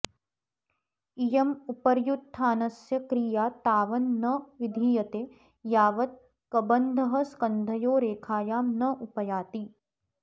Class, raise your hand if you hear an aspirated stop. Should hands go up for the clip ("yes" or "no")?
yes